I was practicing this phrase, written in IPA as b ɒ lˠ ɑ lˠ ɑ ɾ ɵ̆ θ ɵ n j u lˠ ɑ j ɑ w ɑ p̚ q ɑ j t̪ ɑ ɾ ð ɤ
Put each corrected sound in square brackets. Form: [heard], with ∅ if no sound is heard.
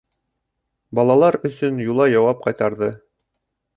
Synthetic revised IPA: b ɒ lˠ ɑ lˠ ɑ ɾ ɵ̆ [s] ɵ n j u lˠ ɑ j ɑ w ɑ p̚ q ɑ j t̪ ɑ ɾ ð ɤ